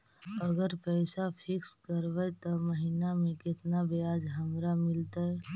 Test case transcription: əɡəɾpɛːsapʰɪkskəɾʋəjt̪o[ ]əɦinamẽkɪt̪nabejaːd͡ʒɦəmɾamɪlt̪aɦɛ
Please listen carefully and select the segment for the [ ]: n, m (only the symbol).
m